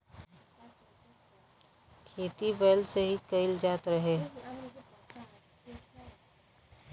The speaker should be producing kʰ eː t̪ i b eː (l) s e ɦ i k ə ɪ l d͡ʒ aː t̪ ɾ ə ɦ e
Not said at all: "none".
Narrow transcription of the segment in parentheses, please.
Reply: l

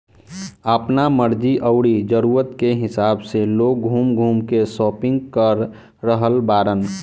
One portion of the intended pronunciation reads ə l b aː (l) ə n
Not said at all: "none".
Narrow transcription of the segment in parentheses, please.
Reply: ɾ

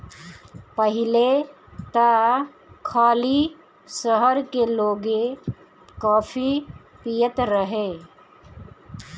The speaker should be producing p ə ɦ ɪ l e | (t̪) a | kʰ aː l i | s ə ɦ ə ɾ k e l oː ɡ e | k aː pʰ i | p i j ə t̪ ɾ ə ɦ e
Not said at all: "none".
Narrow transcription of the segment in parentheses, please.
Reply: t̪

